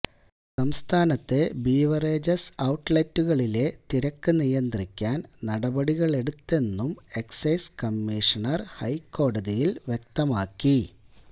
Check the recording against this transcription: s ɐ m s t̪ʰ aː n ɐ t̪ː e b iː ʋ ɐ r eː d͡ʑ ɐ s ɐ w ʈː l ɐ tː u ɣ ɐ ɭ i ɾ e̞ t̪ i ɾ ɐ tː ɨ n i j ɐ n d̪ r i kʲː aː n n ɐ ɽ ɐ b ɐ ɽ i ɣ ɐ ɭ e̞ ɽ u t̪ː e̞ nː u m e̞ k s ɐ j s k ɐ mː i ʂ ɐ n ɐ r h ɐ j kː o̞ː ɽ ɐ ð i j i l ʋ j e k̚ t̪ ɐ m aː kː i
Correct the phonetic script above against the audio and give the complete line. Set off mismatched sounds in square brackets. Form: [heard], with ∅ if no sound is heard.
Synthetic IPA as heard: s ɐ m s t̪ʰ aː n ɐ t̪ː e b iː ʋ ɐ r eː d͡ʑ ɐ s ɐ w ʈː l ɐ tː u ɣ ɐ ɭ i [l] e̞ t̪ i ɾ ɐ [kː] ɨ n i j ɐ n d̪ r i kʲː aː n n ɐ ɽ ɐ b ɐ ɽ i ɣ ɐ ɭ e̞ ɽ u t̪ː e̞ nː u m e̞ k s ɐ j s k ɐ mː i ʂ ɐ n ɐ r h ɐ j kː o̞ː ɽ ɐ ð i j i l ʋ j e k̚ t̪ ɐ m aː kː i

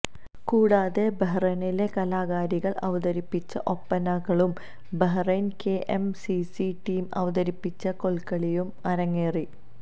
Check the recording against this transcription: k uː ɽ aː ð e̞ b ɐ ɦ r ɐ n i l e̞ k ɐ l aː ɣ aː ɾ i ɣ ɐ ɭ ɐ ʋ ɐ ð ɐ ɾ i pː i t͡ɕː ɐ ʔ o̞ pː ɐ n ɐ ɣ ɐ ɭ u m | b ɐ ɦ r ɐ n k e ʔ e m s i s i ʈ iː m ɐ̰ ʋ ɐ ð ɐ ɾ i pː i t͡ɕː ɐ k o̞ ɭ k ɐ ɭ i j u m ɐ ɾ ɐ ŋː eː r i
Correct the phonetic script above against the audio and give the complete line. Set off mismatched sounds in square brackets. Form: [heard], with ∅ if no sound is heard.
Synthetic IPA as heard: k uː ɽ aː ð e̞ b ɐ ɦ r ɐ n i l e̞ k ɐ l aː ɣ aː ɾ i ɣ ɐ ɭ ɐ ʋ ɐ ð ɐ ɾ i pː i t͡ɕː ɐ ʔ o̞ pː ɐ n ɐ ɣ ɐ ɭ u m | b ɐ ɦ r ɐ n k e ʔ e m s i s i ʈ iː m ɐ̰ ʋ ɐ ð ɐ ɾ i pː i t͡ɕː ɐ k o̞ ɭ k ɐ ɭ i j u m ɐ ɾ ɐ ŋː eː r i

